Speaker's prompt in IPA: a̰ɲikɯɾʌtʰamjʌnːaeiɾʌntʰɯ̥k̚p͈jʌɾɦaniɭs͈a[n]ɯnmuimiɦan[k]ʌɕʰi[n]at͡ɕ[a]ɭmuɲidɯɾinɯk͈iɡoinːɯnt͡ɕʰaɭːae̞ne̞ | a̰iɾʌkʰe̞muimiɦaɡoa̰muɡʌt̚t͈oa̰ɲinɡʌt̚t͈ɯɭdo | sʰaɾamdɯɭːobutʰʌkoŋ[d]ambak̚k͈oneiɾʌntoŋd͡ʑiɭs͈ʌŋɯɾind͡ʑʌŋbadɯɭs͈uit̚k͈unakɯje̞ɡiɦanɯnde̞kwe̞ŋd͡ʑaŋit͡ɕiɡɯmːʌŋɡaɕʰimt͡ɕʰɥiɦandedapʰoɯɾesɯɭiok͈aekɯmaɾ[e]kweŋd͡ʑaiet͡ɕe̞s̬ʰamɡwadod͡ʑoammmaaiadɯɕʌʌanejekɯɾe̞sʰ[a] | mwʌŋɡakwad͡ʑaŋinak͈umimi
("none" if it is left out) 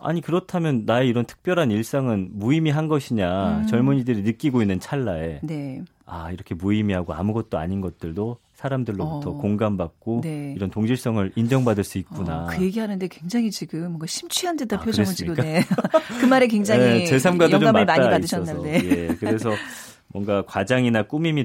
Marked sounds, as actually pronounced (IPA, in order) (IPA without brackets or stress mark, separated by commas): ŋ, ɡ, ɲ, ʌ, ɡ, e, ʌ